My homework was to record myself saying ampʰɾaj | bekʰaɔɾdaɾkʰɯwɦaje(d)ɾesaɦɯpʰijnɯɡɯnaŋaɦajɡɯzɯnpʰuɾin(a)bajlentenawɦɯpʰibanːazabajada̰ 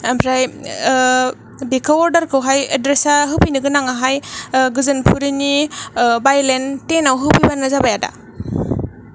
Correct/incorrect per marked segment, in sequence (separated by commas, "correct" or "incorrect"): correct, incorrect